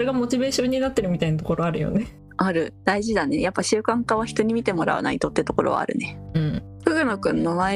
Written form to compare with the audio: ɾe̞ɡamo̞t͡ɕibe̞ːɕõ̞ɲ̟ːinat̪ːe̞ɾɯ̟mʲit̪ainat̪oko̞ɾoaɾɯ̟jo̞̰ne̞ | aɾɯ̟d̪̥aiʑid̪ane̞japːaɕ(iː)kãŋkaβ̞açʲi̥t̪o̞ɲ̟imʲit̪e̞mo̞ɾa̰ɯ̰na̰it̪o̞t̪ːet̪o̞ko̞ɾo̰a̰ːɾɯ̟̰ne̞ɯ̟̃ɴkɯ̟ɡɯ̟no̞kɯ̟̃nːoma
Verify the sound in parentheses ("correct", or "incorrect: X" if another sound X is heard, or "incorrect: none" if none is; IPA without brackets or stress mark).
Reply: incorrect: ɨː